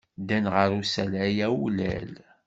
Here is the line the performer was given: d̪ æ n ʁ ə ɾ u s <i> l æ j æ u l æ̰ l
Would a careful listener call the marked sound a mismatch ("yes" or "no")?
yes